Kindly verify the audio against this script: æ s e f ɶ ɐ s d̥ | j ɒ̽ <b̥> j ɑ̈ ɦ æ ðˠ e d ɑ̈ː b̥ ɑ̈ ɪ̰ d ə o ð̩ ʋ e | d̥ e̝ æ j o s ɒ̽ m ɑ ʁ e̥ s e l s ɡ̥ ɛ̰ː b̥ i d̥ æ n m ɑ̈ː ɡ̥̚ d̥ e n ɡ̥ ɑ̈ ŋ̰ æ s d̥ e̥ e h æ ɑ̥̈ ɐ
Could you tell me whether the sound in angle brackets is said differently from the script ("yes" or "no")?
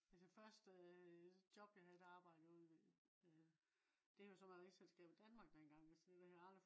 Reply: no